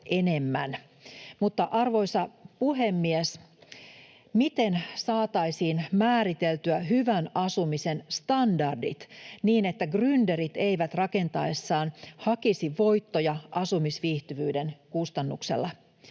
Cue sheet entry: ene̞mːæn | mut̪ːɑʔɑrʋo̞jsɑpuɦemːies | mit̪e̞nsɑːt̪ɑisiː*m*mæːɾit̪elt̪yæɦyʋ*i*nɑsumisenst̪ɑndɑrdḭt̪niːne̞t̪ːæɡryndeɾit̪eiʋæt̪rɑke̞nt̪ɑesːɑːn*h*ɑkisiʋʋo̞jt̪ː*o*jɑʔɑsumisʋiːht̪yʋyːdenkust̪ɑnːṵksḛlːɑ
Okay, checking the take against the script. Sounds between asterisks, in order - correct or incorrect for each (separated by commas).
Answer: incorrect, incorrect, correct, correct